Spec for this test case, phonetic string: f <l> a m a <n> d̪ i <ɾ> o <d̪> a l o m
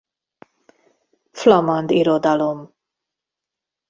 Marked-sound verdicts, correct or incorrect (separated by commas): correct, correct, correct, correct